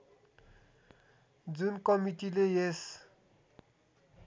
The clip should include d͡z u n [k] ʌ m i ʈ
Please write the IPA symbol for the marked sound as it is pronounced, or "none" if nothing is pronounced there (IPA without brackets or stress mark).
k